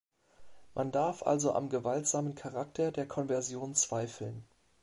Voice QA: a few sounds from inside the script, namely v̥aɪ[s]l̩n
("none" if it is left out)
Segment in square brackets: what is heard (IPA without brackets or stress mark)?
f